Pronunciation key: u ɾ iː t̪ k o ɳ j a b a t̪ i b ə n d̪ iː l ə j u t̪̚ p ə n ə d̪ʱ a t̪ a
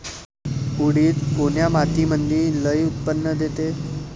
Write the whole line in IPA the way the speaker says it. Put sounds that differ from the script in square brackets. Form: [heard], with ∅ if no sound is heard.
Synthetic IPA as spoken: u [ɽ] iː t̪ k o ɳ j a [m] a t̪ i [m] ə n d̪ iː l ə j u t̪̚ p ə [nː] ə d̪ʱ [e] t̪ [e]